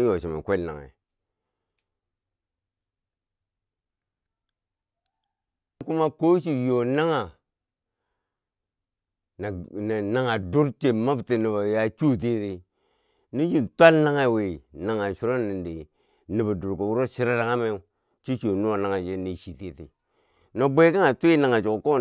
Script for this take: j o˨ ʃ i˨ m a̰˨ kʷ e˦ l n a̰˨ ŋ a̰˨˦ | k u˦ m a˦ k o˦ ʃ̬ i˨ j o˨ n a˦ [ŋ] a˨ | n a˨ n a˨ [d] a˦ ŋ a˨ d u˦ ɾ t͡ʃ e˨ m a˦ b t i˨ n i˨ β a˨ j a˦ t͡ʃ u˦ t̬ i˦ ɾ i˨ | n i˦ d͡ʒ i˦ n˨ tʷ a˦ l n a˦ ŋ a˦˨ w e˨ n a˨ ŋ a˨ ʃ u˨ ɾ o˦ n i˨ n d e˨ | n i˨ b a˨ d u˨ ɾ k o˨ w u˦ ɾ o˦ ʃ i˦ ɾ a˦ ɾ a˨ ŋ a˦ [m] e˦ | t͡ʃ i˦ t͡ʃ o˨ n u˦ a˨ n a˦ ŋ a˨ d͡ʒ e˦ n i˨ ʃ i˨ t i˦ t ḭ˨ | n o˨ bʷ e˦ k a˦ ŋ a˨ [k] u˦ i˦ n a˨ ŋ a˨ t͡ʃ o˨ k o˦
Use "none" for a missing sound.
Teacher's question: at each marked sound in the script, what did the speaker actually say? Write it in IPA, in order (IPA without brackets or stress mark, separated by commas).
ŋ, n, m, t